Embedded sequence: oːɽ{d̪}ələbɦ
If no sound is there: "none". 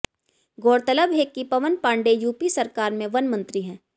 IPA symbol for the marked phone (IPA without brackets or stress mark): t̪